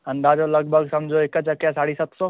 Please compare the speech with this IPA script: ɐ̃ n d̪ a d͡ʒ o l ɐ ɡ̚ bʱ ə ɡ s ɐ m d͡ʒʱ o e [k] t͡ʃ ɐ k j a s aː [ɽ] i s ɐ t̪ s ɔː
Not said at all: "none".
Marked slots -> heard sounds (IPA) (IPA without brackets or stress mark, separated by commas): k, ɽ